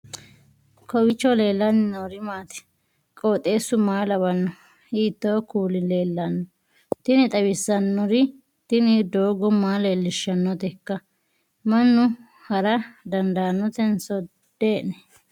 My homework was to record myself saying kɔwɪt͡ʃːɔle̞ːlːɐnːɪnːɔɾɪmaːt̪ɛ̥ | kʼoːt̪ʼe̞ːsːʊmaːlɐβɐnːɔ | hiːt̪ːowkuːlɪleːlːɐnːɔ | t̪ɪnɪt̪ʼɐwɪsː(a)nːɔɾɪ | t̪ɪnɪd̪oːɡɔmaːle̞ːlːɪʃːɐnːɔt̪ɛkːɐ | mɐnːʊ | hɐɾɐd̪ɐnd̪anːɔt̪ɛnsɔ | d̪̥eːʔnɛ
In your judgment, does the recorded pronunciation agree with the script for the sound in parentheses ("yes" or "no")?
no